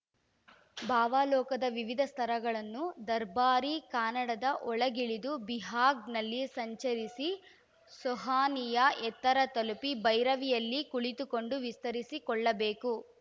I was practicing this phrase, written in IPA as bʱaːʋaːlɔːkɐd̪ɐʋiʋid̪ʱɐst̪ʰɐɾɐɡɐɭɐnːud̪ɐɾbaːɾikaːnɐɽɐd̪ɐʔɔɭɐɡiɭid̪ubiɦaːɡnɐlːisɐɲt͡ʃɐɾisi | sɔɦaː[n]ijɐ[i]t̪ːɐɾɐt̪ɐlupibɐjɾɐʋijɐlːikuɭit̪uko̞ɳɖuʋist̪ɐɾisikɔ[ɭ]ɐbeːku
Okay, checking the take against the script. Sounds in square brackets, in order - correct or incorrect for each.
correct, incorrect: ɛ, incorrect: ɭː

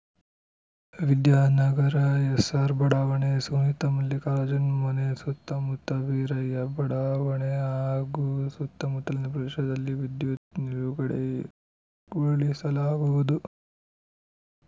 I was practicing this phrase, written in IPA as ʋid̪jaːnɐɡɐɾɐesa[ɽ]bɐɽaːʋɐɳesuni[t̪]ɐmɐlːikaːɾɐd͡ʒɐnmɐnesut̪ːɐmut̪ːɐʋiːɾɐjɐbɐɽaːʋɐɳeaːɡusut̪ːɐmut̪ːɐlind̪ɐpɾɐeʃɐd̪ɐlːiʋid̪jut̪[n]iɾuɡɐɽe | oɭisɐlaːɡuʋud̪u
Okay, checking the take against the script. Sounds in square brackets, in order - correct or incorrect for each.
incorrect: ɾ, correct, correct

